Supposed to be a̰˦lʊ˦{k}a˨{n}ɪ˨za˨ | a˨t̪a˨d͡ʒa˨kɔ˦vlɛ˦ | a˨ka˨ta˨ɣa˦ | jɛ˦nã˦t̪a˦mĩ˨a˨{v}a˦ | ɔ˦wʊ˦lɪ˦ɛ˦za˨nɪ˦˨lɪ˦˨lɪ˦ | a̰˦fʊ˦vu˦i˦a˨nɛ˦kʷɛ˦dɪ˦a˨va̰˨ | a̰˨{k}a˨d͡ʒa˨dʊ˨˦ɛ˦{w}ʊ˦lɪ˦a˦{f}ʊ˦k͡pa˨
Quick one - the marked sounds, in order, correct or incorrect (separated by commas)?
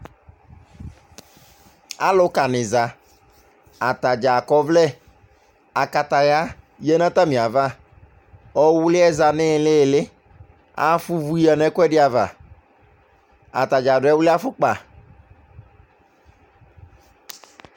correct, correct, correct, incorrect, correct, correct